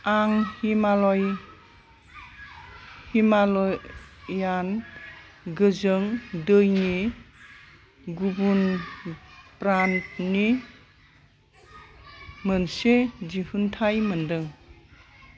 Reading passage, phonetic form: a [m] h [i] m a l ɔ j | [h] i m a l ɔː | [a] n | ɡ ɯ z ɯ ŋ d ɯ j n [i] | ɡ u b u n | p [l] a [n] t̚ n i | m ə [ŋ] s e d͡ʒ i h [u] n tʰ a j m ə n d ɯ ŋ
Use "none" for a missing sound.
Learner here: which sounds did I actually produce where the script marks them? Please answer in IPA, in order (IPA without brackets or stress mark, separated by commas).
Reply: ŋ, i, h, a, i, ɾ, n, n, u